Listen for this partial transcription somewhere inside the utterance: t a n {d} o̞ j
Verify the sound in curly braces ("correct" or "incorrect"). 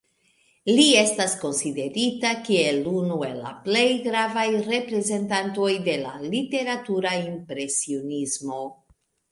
incorrect